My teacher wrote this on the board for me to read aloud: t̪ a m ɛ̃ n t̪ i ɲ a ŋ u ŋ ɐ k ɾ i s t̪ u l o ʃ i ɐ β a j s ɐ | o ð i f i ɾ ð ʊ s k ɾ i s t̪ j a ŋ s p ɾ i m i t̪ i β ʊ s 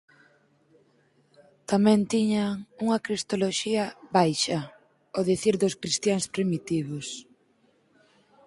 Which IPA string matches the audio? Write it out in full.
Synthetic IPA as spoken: t̪ a m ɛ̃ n t̪ i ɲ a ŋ u ŋ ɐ k ɾ i s t̪ o l o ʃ i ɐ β a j ʃ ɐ | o ð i θ i ɾ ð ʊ s k ɾ i s t̪ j a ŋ s p ɾ i m i t̪ i β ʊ s